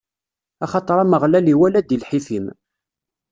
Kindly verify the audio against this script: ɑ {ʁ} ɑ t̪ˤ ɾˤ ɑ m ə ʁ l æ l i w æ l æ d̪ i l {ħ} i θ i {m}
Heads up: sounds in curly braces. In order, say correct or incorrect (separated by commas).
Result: incorrect, correct, correct